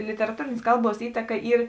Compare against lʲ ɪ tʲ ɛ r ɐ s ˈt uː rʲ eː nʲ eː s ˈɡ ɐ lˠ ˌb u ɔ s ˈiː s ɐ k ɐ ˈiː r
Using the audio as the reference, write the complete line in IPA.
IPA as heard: lʲ ɪ tʲ ɛ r ɐ ˈt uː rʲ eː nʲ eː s ˈk ɐ lˠ ˌb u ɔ s ˈiː t ɐ k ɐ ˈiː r